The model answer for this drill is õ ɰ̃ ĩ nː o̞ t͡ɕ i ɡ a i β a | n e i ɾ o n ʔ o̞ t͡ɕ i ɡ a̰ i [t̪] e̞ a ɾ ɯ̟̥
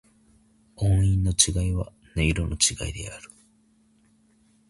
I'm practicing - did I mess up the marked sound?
yes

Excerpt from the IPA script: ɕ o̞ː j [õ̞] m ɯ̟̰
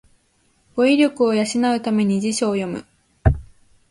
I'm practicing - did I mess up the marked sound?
yes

